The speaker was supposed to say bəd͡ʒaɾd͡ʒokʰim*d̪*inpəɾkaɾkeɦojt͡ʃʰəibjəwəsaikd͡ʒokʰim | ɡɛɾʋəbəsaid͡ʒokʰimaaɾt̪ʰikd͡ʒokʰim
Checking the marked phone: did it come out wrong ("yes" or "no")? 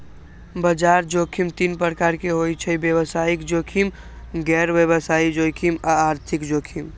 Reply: yes